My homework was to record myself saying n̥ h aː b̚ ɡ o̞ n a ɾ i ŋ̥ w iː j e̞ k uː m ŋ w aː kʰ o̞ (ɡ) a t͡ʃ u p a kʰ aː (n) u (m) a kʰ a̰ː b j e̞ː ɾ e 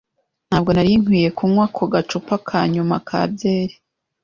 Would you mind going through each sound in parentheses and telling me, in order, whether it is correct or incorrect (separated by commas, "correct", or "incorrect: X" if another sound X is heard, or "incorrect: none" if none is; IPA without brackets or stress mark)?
correct, incorrect: ɲ, correct